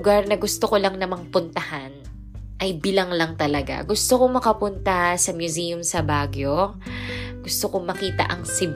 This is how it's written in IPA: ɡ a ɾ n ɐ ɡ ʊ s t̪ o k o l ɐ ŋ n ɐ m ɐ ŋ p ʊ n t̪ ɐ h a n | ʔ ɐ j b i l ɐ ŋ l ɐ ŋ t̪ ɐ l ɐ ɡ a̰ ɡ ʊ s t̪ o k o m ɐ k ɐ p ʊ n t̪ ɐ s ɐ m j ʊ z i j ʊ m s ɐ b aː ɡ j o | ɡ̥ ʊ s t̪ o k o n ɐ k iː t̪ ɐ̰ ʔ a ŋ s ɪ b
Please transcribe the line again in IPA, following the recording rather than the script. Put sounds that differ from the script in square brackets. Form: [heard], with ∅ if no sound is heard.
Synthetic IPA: ɡ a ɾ n ɐ ɡ ʊ s t̪ o k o l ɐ ŋ n ɐ m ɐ ŋ p ʊ n t̪ ɐ h a n | ʔ ɐ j b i l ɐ ŋ l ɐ ŋ t̪ ɐ l ɐ ɡ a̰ ɡ ʊ s t̪ o k o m ɐ k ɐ p ʊ n t̪ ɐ s ɐ m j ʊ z i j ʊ m s ɐ b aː ɡ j o | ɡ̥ ʊ s t̪ o k o [m] ɐ k iː t̪ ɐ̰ ʔ [ɐ] ŋ s ɪ b